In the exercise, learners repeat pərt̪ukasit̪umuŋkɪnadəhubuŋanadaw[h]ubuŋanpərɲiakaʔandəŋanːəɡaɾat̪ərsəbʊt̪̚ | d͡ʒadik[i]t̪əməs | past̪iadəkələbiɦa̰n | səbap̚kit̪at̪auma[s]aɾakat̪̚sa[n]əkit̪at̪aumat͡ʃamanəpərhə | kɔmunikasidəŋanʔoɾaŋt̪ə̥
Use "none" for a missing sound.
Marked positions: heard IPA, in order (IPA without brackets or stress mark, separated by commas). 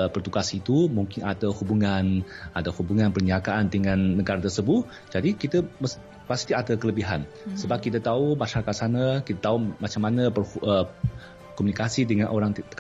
h, i, ʃ, n